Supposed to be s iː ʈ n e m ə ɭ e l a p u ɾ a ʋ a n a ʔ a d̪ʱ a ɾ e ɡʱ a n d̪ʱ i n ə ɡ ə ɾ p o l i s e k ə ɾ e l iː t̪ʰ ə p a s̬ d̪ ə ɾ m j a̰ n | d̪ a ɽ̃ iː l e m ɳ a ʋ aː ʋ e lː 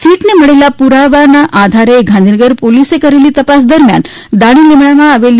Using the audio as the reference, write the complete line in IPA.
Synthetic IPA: s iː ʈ n e m ə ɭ e l a p u ɾ a ʋ a n a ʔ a d̪ʱ a ɾ e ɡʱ a n d̪ʱ i n ə ɡ ə ɾ p o l i s e k ə ɾ e l iː t̪ ə p a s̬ d̪ ə ɾ m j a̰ n | d̪ a ɽ̃ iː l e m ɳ a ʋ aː ʋ e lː